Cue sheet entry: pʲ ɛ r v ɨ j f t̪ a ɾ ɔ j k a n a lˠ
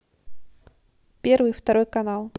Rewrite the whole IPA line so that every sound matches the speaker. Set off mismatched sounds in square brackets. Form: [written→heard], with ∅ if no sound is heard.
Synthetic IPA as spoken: pʲ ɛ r v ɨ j f t̪ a ɾ ɔ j k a n a lˠ